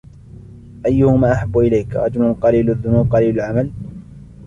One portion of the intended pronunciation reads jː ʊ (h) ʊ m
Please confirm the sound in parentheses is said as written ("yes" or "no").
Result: yes